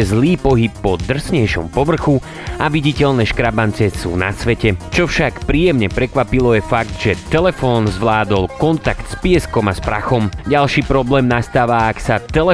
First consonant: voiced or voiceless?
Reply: voiced